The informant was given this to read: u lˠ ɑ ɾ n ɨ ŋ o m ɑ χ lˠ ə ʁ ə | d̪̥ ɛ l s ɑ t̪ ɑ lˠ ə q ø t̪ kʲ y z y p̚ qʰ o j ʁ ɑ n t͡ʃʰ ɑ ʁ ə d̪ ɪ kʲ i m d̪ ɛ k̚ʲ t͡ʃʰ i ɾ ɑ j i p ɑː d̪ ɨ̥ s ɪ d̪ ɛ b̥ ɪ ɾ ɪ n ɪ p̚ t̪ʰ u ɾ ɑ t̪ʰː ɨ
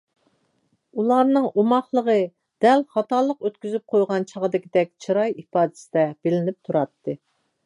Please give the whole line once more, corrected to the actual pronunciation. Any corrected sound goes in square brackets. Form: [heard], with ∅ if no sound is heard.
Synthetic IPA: u lˠ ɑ ɾ n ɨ ŋ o m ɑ χ lˠ ə ʁ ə | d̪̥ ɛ l [χ] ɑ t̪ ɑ lˠ ə q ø t̪ kʲ y z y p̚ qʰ o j ʁ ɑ n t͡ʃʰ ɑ ʁ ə d̪ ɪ kʲ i [∅] d̪ ɛ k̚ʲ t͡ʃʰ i ɾ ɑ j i p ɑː d̪ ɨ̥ s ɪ d̪ ɛ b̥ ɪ [l] ɪ n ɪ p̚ t̪ʰ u ɾ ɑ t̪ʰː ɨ